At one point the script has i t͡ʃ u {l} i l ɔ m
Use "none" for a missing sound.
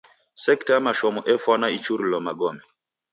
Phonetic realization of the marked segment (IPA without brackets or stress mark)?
ɾ